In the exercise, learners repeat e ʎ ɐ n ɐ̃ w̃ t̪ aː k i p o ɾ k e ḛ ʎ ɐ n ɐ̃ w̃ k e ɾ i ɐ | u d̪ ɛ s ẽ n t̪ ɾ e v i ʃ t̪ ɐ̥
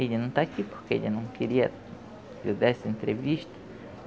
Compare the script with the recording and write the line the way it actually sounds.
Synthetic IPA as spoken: e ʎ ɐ n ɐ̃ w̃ t̪ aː k i p o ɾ k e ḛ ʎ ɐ n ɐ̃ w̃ k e ɾ i ɐ | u d̪ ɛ s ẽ n t̪ ɾ e v i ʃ t̪ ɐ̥

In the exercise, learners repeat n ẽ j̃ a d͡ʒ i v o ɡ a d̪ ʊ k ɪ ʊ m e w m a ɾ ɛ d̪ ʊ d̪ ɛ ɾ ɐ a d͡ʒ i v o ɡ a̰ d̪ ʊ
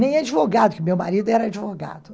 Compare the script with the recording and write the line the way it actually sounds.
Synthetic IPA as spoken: n ẽ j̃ a d͡ʒ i v o ɡ a d̪ ʊ k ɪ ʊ m e w m a ɾ i d̪ ʊ ɛ ɾ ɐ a d͡ʒ i v o ɡ a̰ d̪ ʊ

